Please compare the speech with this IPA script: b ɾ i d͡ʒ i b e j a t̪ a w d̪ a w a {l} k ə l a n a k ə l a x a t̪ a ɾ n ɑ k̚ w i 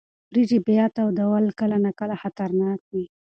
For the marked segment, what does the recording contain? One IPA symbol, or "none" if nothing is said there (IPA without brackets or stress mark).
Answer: l